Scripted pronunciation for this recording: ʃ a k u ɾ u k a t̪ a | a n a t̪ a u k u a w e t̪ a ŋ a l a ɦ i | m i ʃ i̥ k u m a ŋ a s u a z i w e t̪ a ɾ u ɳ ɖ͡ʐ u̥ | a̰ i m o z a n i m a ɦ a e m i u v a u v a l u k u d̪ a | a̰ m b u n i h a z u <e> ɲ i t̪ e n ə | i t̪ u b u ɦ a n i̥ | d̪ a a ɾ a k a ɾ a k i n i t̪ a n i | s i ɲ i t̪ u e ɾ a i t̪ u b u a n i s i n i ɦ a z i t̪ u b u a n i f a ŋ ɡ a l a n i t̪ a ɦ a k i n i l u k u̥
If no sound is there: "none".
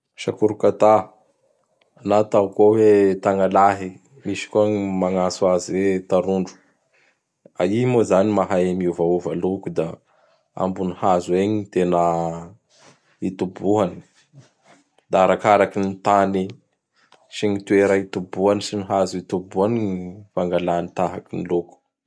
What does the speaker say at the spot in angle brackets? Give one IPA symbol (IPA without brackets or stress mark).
e